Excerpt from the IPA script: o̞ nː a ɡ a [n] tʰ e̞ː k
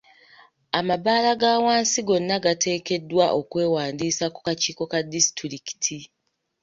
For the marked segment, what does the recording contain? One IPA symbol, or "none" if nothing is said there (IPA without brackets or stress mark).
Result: none